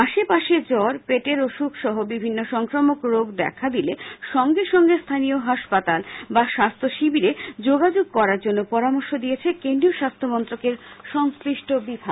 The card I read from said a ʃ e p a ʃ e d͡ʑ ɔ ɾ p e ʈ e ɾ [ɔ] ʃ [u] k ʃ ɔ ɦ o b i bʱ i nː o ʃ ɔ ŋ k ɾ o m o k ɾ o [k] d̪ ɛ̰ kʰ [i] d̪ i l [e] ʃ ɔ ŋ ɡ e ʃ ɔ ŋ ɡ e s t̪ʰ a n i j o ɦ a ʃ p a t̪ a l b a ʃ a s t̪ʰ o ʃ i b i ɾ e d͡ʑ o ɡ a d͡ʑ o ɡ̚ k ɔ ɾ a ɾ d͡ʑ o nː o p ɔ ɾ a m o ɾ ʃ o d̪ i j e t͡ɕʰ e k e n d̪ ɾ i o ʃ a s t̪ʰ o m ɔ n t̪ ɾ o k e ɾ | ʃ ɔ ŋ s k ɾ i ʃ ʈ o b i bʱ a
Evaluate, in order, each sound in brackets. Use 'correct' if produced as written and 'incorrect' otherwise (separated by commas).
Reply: incorrect, correct, incorrect, incorrect, correct